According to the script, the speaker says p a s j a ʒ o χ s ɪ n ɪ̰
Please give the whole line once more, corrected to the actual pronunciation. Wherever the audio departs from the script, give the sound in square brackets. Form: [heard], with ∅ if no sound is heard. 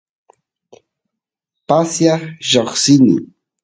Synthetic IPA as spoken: p a s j a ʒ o χ s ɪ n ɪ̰